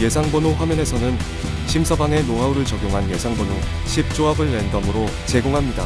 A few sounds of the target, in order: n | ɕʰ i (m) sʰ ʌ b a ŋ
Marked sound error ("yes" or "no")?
no